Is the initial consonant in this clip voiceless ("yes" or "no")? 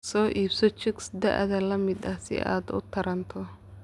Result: yes